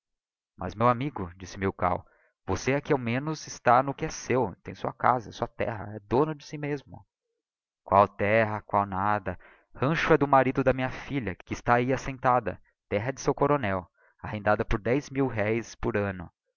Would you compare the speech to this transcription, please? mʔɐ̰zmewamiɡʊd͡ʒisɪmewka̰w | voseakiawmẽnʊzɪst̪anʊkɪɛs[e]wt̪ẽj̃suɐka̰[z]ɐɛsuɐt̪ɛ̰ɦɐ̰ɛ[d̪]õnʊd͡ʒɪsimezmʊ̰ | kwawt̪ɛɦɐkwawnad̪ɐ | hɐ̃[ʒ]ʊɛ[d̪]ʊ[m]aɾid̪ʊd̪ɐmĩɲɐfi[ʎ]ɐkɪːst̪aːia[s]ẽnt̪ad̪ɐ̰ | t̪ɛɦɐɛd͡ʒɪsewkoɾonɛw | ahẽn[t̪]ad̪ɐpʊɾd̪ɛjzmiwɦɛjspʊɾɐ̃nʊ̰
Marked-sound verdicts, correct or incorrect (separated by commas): correct, correct, correct, incorrect, correct, correct, correct, correct, incorrect